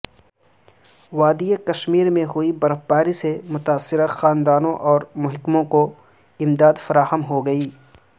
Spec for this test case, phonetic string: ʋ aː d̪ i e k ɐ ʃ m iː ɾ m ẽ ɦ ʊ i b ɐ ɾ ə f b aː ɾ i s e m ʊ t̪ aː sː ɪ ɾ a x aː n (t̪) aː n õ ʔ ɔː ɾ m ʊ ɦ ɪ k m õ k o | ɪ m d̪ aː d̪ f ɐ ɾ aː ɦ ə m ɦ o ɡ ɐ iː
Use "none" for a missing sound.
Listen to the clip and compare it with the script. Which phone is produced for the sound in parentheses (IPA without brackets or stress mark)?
d̪